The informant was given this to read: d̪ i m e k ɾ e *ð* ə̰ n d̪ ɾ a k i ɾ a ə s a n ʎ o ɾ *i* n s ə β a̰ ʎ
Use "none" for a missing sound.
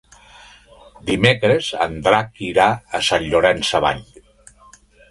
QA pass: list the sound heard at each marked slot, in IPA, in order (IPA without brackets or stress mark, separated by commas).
z, ɛ